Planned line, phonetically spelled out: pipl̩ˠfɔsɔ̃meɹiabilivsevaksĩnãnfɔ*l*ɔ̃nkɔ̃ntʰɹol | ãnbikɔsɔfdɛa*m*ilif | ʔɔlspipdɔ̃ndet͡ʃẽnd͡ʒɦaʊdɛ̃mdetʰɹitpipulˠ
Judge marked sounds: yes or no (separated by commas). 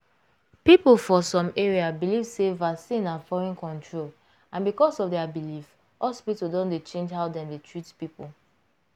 no, no